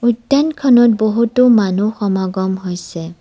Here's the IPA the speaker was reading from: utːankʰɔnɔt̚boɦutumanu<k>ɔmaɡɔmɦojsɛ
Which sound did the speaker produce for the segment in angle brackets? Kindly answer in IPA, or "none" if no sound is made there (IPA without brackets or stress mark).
x